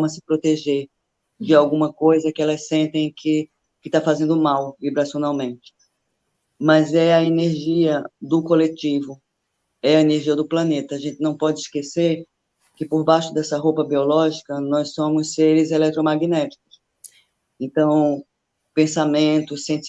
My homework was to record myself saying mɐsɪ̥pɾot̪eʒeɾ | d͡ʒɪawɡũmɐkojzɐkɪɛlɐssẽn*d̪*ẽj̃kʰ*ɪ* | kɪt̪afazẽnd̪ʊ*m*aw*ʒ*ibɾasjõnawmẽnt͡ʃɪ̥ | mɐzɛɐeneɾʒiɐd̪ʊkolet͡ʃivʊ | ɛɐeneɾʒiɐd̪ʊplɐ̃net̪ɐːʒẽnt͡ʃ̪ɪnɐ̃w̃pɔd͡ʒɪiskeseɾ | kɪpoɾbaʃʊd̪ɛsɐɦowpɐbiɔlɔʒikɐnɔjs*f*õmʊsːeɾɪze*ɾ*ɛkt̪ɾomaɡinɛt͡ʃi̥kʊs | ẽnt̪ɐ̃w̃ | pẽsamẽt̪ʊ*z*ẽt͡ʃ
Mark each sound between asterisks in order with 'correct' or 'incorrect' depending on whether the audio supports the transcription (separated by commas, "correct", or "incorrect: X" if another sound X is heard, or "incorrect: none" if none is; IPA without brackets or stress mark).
incorrect: t̪, correct, correct, incorrect: v, incorrect: s, incorrect: l, incorrect: s